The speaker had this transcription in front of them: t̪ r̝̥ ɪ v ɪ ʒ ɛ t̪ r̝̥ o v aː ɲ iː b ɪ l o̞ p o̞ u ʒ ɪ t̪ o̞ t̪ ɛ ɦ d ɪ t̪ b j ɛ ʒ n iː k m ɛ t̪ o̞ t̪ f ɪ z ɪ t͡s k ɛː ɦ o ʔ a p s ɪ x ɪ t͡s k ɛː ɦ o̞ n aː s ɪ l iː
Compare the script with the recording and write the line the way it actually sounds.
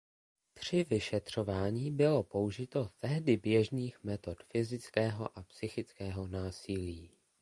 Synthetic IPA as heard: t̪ r̝̥ ɪ v ɪ ʃ ɛ t̪ r̝̥ o v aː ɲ iː b ɪ l o̞ p o̞ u ʒ ɪ t̪ o̞ t̪ ɛ ɦ d ɪ b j ɛ ʒ n iː x m ɛ t̪ o̞ t̪ f ɪ z ɪ t͡s k ɛː ɦ o ʔ a p s ɪ x ɪ t͡s k ɛː ɦ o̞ n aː s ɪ l iː